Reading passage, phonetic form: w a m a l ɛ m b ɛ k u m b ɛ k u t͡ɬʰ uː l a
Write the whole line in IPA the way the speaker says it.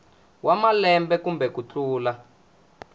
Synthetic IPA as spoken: w a m a l ɛ m b ɛ k u m b ɛ k u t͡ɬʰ uː l a